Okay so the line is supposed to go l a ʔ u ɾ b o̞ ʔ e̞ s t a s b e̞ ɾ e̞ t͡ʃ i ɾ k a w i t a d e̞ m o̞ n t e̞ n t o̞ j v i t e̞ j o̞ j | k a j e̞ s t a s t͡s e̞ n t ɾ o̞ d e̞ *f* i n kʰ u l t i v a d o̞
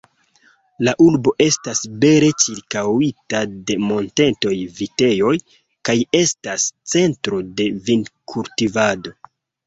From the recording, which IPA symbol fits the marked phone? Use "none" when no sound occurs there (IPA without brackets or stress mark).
v